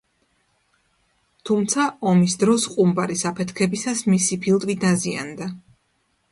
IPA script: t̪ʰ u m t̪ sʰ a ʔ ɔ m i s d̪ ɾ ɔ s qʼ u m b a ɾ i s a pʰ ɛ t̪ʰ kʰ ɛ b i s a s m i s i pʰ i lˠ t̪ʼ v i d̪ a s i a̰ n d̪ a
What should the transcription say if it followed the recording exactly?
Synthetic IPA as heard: t̪ʰ u m t̪ sʰ a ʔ ɔ m i s d̪ ɾ ɔ s qʼ u m b a ɾ i s a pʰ ɛ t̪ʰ kʰ ɛ b i s a s m i s i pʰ i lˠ t̪ʼ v i d̪ a z i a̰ n d̪ a